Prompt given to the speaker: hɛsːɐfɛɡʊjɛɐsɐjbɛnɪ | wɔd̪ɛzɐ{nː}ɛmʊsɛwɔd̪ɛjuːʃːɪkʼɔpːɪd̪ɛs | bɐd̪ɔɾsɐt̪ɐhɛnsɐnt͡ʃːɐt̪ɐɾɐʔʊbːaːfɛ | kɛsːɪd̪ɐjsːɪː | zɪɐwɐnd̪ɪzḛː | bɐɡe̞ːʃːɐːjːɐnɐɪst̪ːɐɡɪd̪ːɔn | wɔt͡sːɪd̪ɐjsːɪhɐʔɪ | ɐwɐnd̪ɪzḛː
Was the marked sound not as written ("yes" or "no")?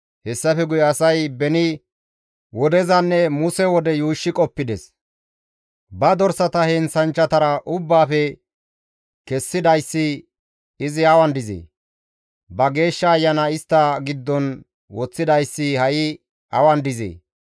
no